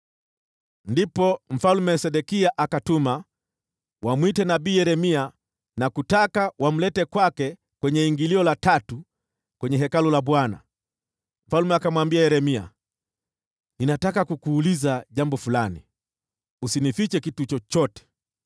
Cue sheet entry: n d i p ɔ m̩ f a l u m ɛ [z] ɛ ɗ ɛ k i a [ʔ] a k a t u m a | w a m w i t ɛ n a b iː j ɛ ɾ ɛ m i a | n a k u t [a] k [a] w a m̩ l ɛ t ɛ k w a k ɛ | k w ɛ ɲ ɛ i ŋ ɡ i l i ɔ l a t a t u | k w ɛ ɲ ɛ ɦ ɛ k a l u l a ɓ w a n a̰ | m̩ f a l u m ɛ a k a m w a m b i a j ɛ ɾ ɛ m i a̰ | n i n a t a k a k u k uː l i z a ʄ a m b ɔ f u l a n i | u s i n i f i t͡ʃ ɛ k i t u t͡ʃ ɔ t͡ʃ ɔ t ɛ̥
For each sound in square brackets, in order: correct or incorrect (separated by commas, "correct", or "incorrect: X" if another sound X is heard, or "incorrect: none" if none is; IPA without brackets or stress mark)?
incorrect: s, correct, correct, correct